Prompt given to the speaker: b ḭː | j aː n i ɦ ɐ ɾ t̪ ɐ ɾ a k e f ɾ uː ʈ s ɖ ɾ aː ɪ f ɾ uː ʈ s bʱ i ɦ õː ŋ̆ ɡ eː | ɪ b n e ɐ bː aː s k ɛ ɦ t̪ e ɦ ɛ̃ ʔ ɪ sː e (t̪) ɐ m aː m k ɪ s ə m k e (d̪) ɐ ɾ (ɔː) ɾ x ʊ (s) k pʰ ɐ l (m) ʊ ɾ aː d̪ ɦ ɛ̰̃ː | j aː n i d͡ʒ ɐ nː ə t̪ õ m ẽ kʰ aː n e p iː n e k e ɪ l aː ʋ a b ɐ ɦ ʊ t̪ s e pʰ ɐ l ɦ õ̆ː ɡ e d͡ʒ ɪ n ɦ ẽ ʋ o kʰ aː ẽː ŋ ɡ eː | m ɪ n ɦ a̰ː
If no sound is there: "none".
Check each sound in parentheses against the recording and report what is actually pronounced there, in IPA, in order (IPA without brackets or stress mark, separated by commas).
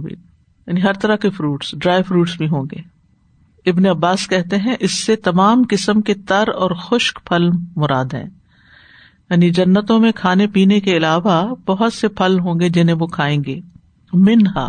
t̪, t̪, ɔː, ʃ, m